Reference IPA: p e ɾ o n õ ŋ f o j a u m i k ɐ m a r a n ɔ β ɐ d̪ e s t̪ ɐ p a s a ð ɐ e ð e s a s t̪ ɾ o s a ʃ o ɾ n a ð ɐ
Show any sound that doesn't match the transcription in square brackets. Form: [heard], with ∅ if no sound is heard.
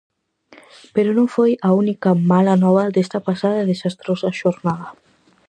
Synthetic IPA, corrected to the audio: p e ɾ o n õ ŋ f o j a u [n] i k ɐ m a [l] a n ɔ β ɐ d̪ e s t̪ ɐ p a s a ð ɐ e ð e s a s t̪ ɾ o s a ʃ o ɾ n a ð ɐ